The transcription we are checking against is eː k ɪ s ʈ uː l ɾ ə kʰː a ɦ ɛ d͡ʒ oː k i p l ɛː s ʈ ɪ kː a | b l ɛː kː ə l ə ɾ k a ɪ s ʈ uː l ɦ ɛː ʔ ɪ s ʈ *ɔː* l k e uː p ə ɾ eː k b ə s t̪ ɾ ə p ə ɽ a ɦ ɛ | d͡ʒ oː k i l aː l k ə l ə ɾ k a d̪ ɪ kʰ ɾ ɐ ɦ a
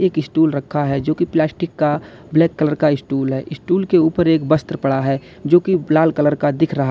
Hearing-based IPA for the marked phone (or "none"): uː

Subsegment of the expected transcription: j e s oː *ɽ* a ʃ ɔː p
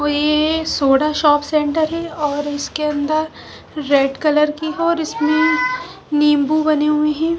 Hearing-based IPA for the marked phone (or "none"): ɽ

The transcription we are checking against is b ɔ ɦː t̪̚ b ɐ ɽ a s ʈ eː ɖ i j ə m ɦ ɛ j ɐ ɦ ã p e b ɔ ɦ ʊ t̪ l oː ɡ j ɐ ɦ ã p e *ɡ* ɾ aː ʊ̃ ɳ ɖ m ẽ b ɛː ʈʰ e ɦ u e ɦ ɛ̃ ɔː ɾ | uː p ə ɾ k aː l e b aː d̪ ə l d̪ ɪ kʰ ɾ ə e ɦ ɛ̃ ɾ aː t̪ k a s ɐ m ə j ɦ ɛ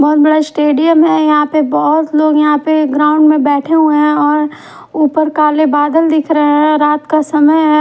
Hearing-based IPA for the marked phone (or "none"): ɡ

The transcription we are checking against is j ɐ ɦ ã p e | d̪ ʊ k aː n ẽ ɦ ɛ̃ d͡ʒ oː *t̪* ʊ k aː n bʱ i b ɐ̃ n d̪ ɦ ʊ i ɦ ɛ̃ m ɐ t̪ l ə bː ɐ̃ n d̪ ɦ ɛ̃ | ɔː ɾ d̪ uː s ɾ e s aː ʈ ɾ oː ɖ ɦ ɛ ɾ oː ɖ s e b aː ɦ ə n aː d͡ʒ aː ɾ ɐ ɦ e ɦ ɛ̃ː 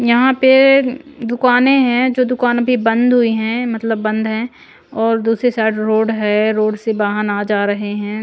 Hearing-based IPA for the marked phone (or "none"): d̪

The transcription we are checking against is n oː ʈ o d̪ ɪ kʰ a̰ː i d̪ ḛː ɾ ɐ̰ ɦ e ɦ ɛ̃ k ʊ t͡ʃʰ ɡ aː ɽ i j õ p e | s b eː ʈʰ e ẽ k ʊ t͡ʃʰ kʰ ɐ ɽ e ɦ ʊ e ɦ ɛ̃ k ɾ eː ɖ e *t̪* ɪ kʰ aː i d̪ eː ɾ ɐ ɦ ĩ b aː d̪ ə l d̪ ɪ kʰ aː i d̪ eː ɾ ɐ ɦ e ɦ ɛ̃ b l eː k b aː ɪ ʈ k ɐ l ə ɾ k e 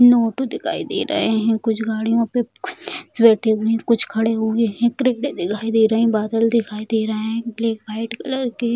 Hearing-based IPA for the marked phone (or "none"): d̪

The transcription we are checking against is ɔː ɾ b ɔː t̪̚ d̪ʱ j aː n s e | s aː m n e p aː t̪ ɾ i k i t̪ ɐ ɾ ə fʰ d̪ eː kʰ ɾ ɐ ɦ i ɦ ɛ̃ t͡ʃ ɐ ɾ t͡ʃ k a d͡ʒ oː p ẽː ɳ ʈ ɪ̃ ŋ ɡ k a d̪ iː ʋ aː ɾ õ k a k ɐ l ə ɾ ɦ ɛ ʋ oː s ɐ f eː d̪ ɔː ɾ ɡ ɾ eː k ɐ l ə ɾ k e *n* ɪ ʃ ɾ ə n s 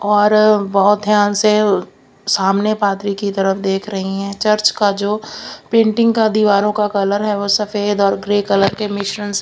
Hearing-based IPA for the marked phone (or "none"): m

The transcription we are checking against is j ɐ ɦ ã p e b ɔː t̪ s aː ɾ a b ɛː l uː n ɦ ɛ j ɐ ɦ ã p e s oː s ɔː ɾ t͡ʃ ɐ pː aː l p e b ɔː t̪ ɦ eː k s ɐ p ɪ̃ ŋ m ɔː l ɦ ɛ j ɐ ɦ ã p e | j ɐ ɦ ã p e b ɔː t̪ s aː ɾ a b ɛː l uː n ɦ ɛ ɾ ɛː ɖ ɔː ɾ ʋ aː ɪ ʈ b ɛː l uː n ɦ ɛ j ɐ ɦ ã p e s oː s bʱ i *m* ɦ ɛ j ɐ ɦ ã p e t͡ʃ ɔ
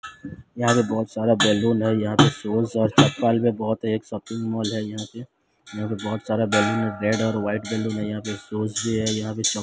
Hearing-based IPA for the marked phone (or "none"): none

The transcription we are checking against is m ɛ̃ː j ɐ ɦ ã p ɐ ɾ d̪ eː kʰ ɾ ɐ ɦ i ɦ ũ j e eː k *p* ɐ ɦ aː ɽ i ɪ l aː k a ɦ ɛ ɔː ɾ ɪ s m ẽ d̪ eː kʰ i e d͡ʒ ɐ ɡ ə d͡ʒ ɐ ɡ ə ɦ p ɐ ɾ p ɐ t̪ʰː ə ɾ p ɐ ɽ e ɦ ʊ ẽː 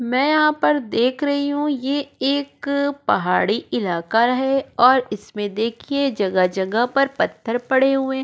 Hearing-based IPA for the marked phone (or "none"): p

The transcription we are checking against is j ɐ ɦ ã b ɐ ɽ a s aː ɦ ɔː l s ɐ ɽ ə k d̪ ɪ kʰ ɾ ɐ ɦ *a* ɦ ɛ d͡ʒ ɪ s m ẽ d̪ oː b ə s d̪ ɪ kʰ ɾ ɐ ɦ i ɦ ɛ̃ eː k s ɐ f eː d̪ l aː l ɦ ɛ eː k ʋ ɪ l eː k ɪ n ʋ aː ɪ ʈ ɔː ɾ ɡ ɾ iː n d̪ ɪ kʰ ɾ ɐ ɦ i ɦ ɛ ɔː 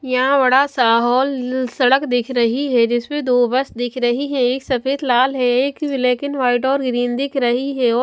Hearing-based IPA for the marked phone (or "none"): i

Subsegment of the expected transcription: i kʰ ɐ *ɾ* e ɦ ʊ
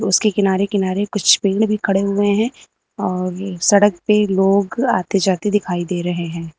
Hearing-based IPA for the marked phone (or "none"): ɽ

